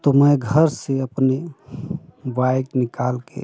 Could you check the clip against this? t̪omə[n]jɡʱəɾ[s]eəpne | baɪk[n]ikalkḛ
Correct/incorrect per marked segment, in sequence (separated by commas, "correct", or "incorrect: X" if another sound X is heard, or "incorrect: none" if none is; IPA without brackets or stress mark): incorrect: none, correct, correct